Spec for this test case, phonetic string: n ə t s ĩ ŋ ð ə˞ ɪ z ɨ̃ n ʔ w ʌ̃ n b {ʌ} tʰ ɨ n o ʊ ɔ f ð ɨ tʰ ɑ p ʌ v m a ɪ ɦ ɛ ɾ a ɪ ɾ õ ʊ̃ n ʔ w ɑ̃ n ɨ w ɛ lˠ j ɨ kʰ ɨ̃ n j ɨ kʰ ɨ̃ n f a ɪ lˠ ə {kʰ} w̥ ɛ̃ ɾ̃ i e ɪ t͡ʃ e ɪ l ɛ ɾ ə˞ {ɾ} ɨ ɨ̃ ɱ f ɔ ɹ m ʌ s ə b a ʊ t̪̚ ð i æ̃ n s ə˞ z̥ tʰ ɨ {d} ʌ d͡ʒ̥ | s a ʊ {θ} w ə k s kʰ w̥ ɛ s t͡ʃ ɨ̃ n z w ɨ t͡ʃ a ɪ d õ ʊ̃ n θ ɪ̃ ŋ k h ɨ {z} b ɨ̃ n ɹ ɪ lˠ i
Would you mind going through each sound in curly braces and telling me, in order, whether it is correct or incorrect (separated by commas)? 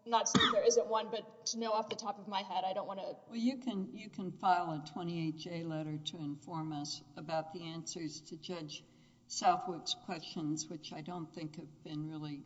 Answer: correct, incorrect, correct, incorrect, correct, incorrect